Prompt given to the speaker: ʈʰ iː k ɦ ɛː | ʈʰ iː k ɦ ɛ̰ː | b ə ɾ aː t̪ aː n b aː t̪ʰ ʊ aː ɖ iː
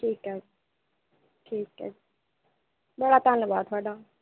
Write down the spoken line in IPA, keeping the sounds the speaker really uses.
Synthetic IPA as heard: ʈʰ iː k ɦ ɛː | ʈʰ iː k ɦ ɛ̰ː | b ə ɽ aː t̪ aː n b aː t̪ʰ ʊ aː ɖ aː